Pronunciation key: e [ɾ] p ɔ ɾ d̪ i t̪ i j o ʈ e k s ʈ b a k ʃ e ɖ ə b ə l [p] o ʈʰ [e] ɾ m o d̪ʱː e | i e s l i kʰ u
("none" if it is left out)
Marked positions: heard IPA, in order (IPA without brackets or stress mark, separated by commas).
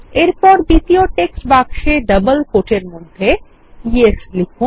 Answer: ɾ, k, e